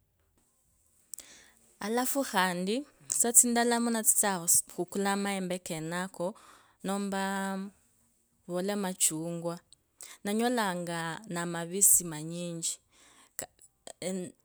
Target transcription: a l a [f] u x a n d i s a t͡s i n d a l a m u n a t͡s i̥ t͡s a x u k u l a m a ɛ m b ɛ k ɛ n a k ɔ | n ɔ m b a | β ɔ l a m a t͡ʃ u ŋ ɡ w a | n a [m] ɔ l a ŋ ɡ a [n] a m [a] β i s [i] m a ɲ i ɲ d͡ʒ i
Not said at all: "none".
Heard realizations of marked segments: f, ɲ, n, a, i

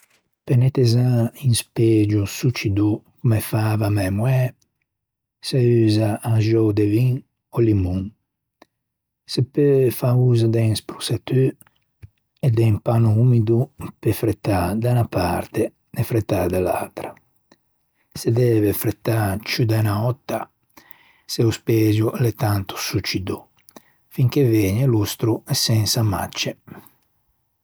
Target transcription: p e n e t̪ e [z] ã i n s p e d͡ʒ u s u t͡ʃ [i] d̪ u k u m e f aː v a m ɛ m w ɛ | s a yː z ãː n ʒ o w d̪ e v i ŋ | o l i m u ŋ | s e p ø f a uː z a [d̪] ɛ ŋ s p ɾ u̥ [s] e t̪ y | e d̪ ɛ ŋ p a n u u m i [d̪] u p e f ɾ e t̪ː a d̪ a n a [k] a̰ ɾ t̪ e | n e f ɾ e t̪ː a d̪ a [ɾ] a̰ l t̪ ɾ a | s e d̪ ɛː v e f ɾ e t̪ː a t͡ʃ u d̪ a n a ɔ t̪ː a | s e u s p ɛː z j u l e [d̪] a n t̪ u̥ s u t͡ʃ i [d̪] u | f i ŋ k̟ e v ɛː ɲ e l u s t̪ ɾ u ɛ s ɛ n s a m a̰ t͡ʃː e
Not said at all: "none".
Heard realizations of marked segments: z, i, d̪, s, d̪, p, l, t̪, d̪

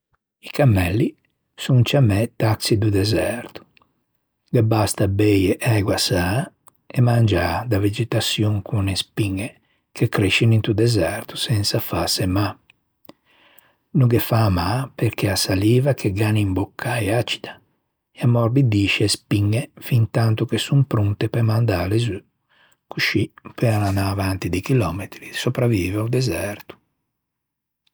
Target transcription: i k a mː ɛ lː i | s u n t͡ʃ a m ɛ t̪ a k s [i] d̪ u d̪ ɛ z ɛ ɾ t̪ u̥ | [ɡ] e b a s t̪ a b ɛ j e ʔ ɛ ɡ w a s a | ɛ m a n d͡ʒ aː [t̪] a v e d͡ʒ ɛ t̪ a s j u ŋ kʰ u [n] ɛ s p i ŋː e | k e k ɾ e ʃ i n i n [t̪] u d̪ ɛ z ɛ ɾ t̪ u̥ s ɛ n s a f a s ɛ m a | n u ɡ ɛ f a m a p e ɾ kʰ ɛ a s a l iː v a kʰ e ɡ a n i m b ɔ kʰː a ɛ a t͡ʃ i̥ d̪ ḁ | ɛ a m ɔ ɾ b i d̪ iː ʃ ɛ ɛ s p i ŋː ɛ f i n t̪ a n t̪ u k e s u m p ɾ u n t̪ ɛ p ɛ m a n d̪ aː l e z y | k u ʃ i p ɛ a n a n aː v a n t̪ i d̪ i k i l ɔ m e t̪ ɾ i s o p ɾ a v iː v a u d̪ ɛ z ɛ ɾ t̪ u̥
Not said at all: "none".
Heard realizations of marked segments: i, ɡ, d̪, n, t̪

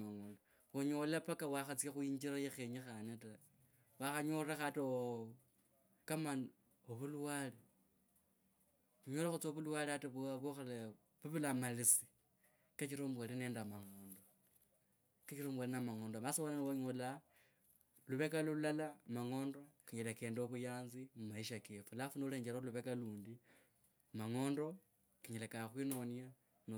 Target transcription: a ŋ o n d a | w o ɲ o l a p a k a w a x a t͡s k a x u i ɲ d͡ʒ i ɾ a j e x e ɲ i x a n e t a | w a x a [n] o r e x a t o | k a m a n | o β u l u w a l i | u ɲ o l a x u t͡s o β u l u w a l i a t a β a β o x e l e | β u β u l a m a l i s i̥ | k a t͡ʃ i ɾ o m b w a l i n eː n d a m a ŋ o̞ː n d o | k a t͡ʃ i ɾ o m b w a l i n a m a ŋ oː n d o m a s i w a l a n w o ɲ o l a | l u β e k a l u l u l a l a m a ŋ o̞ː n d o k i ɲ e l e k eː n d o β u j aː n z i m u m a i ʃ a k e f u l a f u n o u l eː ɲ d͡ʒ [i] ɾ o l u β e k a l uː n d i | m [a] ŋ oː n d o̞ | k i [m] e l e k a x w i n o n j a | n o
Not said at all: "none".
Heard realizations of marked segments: ɲ, e, a, ɲ

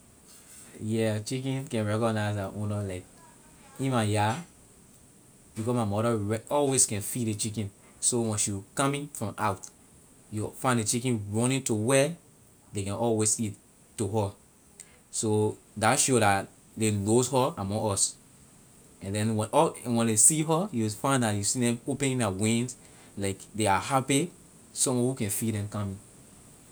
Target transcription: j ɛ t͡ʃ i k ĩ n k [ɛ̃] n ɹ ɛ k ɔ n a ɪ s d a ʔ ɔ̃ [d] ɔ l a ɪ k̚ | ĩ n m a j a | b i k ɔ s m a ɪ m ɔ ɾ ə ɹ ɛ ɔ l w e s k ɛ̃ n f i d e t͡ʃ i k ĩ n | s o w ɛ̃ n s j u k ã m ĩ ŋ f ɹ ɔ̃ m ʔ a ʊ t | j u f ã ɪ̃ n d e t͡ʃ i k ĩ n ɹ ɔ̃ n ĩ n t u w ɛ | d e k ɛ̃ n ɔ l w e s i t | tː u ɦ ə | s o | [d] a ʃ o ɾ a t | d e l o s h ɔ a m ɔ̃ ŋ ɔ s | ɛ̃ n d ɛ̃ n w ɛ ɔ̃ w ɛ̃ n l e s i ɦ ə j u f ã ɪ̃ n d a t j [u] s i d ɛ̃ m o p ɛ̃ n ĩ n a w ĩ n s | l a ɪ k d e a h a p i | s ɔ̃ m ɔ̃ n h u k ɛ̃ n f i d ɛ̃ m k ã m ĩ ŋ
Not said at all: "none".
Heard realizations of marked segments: ɛ̃, n, d, u

